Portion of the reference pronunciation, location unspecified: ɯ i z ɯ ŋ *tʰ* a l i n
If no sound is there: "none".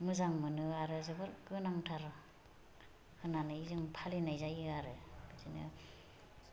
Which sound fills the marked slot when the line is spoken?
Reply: pʰ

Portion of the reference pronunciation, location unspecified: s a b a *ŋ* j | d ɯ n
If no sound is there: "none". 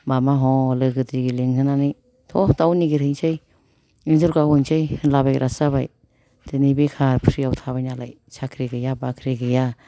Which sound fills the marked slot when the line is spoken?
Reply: none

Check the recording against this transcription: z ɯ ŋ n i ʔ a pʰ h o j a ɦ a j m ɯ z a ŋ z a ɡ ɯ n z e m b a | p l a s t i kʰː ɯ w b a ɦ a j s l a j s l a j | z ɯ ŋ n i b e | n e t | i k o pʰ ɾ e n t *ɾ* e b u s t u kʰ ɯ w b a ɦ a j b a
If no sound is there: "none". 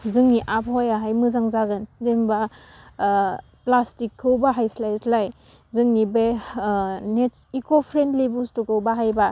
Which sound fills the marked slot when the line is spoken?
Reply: l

